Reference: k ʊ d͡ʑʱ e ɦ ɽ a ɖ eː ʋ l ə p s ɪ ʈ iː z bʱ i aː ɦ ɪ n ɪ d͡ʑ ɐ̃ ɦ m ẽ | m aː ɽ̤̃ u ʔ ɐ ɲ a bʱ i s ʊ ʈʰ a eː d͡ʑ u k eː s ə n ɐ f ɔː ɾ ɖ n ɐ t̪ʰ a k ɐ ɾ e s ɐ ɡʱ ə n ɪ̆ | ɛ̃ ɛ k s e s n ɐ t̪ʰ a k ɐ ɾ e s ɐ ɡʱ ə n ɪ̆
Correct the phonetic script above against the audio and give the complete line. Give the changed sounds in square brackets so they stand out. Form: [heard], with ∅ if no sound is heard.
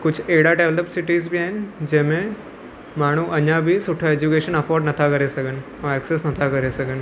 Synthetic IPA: k ʊ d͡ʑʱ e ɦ ɽ a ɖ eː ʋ l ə p s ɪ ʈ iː z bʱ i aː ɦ ɪ n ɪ d͡ʑ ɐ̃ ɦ m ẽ | m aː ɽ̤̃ u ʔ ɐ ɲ a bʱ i s ʊ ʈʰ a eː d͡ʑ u k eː [ʃ] ə n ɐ f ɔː ɾ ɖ n ɐ t̪ʰ a k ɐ ɾ e s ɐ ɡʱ ə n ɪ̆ | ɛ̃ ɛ k s e s n ɐ t̪ʰ a k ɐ ɾ e s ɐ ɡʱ ə n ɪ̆

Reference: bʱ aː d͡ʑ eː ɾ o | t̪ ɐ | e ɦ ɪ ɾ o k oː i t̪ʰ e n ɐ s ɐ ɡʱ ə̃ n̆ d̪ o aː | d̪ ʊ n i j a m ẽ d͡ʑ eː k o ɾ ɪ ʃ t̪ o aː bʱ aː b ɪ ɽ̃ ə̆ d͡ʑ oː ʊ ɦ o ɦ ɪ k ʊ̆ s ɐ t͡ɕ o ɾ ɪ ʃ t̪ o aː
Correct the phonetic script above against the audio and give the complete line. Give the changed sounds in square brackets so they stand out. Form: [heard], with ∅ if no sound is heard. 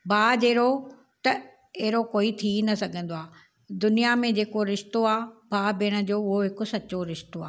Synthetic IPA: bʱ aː d͡ʑ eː ɾ o | t̪ ɐ | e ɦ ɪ ɾ o k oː i t̪ʰ [i] n ɐ s ɐ ɡʱ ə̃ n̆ d̪ o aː | d̪ ʊ n i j a m ẽ d͡ʑ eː k o ɾ ɪ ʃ t̪ o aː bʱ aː b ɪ ɽ̃ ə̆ d͡ʑ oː ʊ ɦ o ɦ ɪ k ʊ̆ s ɐ t͡ɕ o ɾ ɪ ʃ t̪ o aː

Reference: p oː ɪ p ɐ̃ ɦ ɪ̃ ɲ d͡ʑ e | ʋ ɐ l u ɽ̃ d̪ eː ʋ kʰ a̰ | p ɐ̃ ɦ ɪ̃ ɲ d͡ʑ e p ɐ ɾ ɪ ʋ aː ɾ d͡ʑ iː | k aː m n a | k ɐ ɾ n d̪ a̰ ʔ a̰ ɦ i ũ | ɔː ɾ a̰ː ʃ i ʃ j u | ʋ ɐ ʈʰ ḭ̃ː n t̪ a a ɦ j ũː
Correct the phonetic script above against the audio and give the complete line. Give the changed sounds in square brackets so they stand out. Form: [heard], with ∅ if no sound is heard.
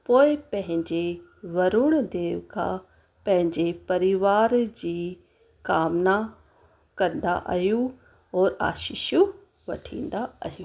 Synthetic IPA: p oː ɪ p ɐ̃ ɦ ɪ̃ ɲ d͡ʑ e | ʋ ɐ [ɾ] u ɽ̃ d̪ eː ʋ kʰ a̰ | p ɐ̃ ɦ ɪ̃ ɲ d͡ʑ e p ɐ ɾ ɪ ʋ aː ɾ d͡ʑ iː | k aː m n a | k ɐ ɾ n d̪ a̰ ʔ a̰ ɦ [j] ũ | ɔː ɾ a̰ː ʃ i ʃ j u | ʋ ɐ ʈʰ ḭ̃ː n [d̪] a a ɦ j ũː

